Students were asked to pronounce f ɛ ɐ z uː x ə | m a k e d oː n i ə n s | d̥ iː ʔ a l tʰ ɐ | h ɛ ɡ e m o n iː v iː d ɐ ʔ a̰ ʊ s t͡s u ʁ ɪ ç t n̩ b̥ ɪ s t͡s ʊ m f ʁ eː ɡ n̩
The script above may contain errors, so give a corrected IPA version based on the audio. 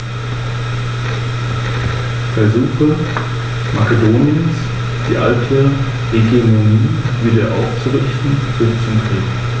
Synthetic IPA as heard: f ɛ ɐ z uː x ə | m a k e d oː n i ə n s | d̥ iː ʔ a l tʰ ə | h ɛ ɡ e m o n iː v iː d ɐ ʔ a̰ ʊ f t͡s u ʁ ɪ ç t n̩ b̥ ɪ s t͡s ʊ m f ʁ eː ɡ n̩